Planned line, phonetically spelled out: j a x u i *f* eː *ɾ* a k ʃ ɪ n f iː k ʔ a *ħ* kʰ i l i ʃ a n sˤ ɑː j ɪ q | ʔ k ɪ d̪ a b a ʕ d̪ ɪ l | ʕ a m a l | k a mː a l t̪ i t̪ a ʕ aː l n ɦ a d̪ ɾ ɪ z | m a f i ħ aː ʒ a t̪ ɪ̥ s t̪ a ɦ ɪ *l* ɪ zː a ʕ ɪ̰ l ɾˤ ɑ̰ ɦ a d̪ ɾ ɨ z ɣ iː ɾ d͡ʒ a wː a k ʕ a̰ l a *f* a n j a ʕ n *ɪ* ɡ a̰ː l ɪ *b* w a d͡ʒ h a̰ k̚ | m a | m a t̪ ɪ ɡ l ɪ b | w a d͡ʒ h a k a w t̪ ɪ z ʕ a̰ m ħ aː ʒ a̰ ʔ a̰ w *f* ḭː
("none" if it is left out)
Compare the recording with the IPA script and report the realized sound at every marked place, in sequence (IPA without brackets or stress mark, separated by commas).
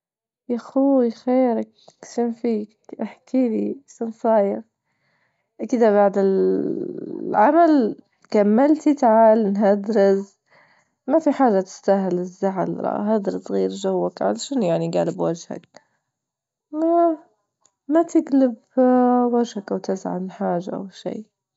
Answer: x, ɾ, ħ, l, ʃ, i, b, ʃ